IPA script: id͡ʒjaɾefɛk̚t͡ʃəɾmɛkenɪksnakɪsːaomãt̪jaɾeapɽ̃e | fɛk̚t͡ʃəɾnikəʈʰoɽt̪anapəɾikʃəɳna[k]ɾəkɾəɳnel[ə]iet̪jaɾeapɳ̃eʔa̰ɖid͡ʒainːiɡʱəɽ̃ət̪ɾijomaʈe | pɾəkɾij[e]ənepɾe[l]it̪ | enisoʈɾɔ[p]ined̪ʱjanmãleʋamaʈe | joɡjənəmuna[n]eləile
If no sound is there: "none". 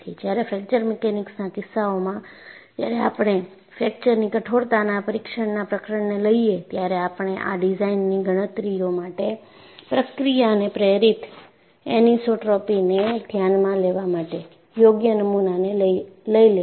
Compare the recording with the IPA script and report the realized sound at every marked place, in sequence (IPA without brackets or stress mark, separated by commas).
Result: p, ə, a, ɾ, p, n